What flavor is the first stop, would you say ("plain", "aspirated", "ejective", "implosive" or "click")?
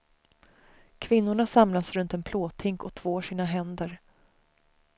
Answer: aspirated